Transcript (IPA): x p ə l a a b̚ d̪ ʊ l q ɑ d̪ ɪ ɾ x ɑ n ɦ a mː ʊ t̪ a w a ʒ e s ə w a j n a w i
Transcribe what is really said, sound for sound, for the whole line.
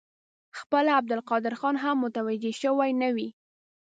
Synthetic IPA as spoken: x p ə l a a b̚ d̪ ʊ l q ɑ d̪ ɪ ɾ x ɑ n ɦ a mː ʊ t̪ a w a d͡ʒ e ʃ ə w a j n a w i